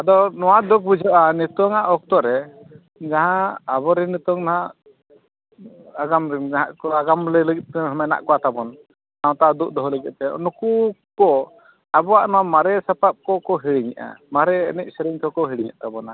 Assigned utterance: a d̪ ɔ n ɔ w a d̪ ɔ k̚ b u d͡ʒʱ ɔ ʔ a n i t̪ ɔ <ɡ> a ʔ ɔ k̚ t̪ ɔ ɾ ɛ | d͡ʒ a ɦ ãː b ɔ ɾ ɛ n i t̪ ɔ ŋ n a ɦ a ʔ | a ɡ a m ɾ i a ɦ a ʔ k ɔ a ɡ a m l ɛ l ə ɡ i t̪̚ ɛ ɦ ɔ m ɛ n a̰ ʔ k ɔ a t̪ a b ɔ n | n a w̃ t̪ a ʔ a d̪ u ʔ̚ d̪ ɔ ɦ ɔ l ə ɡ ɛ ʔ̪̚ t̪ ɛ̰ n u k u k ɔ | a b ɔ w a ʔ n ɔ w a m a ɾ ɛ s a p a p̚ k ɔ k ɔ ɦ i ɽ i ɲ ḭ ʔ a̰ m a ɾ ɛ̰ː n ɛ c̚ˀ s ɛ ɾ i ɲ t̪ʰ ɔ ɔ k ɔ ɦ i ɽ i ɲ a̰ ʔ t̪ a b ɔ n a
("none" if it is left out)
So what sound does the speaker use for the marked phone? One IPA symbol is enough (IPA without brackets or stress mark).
ŋ